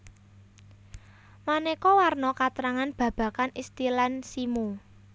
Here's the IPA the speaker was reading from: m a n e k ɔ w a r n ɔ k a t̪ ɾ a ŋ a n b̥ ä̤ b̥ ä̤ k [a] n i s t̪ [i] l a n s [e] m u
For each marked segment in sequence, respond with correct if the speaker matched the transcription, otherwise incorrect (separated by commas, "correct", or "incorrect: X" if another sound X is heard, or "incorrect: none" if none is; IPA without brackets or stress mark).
correct, correct, incorrect: i